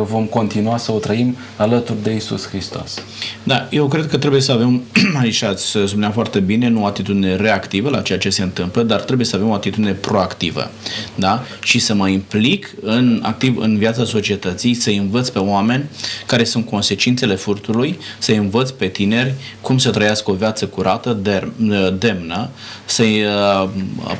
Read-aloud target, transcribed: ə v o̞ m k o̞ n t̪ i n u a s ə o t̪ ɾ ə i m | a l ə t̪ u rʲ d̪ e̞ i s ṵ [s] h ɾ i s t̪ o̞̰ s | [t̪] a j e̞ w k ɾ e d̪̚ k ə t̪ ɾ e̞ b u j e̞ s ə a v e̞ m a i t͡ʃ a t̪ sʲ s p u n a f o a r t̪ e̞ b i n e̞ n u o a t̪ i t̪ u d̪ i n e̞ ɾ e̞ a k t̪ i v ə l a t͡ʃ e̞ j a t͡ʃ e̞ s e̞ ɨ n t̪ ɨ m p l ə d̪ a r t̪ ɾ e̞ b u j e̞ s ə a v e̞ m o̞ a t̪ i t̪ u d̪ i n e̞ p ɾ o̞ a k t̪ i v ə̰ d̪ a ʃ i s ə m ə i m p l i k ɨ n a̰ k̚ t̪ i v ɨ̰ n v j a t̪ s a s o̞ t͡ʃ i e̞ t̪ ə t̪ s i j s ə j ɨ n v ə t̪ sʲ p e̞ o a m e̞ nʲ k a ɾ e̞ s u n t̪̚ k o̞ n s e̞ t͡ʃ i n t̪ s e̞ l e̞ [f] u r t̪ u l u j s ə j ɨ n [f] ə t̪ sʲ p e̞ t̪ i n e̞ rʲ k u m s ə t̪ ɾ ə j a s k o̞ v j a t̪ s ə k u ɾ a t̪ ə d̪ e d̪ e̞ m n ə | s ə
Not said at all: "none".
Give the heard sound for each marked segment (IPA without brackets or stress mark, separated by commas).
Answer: s, d̪, f, v